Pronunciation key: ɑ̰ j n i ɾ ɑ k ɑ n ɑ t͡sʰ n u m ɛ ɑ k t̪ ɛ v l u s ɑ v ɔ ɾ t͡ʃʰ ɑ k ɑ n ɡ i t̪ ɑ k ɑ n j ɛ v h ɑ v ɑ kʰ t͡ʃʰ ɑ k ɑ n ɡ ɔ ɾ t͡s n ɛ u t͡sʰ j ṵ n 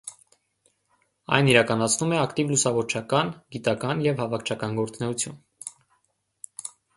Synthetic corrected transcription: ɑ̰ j n i ɾ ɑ k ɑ n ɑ t͡sʰ n u m ɛ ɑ k t̪ i v l u s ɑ v ɔ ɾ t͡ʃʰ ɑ k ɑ n ɡ i t̪ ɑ k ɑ n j ɛ v h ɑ v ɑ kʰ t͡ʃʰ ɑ k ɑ n ɡ ɔ ɾ t͡s n ɛ u t͡sʰ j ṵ n